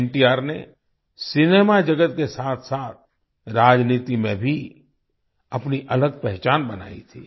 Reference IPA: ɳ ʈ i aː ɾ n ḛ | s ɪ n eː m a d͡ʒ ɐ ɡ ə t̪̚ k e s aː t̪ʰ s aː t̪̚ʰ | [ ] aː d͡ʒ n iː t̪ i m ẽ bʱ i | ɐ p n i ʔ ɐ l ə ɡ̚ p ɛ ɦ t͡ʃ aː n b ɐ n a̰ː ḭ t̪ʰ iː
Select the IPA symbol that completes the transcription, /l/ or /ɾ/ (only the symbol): ɾ